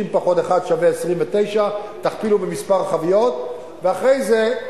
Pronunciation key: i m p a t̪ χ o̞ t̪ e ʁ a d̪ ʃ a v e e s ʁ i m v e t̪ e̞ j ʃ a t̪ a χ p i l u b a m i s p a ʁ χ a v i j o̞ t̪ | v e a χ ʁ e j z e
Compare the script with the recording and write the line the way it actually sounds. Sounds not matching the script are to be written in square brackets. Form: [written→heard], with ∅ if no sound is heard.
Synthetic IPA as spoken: i m p a [t̪→∅] χ o̞ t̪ e [ʁ→χ] a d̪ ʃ a v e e s ʁ i m v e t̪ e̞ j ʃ a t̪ a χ p i l u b [a→e] m i s p a ʁ χ a v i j o̞ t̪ | v e a χ ʁ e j z e

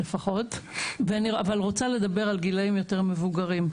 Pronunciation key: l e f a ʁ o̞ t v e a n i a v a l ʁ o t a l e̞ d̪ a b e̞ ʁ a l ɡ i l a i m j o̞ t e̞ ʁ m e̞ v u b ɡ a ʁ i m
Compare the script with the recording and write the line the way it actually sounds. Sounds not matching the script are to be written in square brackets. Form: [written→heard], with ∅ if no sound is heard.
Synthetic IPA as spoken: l e f a [ʁ→χ] o̞ t v e a n i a v a l ʁ o [t→t͡s] a l e̞ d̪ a b e̞ ʁ a l ɡ i l a i m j o̞ t e̞ ʁ m e̞ v u [b→∅] ɡ a ʁ i m

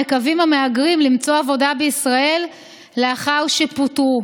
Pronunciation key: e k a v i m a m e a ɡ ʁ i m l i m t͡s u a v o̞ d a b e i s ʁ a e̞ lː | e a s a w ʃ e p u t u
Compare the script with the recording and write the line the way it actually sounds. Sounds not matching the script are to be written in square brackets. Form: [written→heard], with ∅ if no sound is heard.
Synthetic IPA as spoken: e k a v i m a m e a ɡ ʁ i m l i m t͡s [u→o] a v o̞ d a b e i s ʁ a e̞ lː | e a [s→χ] a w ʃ e p u t u

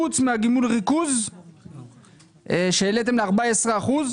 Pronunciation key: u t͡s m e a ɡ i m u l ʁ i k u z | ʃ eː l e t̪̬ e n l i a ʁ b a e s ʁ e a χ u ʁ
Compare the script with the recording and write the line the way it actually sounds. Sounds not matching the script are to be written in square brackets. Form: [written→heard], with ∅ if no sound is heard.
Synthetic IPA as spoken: u t͡s m e a ɡ i m u l ʁ i k u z | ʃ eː l e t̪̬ e [n→m] l [i→e] a ʁ b a e s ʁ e a χ u [ʁ→z]

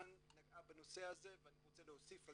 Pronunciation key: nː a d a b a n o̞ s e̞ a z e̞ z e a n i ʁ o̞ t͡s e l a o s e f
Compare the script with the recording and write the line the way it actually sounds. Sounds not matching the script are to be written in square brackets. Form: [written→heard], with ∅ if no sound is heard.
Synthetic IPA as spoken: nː a [d→ɡ] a b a n o̞ s e̞ a z e̞ [z→v] e a n i ʁ o̞ t͡s e l [a→e] o s [e→i] f

